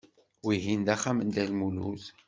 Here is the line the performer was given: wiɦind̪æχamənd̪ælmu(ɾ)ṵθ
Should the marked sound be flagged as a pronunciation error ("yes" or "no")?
yes